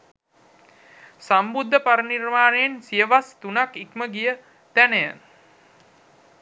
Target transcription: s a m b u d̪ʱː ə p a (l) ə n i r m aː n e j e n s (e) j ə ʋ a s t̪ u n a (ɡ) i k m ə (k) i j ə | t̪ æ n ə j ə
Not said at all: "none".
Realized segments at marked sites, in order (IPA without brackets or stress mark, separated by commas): ɾ, i, k, ɡ